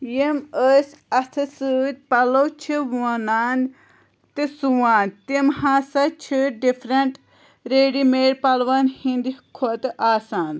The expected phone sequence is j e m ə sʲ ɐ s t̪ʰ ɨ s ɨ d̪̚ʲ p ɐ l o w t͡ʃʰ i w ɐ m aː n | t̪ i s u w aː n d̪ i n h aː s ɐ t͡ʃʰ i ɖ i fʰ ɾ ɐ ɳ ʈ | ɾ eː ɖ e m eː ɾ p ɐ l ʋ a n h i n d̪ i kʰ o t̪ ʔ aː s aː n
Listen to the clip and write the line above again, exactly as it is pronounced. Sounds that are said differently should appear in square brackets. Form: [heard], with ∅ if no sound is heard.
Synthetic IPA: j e m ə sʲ ɐ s t̪ʰ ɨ s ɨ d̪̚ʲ p ɐ l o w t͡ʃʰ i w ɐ [n] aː n | t̪ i s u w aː n [t̪] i [m] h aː s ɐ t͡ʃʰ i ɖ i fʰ ɾ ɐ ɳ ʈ | ɾ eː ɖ [i] m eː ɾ p ɐ l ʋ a n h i n d̪ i kʰ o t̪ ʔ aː s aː n